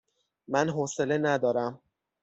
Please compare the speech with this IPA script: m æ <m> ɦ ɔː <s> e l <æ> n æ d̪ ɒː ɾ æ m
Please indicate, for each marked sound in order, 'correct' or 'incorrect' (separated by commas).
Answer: incorrect, correct, incorrect